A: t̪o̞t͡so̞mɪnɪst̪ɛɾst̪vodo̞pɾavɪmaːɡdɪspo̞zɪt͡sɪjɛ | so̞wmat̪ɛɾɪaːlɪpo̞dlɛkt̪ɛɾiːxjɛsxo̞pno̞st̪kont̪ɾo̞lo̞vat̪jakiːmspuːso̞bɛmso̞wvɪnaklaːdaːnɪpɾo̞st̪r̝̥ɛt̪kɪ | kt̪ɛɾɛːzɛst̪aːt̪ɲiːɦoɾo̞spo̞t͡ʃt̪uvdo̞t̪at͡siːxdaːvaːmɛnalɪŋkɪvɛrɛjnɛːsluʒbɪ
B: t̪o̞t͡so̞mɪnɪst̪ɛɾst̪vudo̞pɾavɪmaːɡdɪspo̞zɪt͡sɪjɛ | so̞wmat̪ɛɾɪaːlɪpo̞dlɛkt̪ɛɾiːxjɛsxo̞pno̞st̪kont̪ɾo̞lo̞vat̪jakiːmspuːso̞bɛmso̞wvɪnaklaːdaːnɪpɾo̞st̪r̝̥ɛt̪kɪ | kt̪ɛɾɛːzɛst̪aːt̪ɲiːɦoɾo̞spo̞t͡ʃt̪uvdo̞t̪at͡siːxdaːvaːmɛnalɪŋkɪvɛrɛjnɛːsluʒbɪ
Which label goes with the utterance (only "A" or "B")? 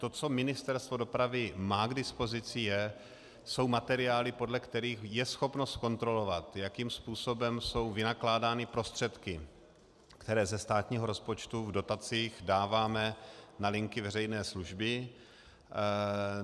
A